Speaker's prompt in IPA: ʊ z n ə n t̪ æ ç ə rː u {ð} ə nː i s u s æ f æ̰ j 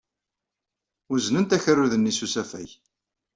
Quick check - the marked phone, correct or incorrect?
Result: correct